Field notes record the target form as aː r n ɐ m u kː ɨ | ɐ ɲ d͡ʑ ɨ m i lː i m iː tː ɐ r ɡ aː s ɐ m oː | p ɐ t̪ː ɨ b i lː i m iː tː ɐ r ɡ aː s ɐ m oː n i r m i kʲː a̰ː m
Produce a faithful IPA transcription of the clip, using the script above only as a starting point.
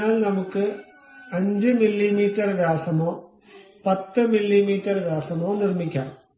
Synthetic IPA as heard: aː l n ɐ m u kː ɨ | ɐ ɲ d͡ʑ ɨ m i lː i m iː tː ɐ r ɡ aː s ɐ m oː | p ɐ t̪ː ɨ m i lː i m iː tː ɐ r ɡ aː s ɐ m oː n i r m i kʲː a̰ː m